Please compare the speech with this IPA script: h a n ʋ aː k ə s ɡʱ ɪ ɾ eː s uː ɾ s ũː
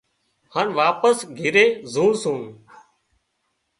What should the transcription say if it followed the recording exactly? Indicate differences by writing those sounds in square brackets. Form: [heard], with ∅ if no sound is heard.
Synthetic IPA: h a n ʋ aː [p] ə s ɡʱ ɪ ɾ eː [z] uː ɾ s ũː